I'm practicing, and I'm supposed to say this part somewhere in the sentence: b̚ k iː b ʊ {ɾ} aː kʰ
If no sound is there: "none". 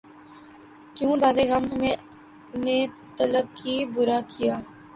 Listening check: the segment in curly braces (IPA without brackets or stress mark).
ɾ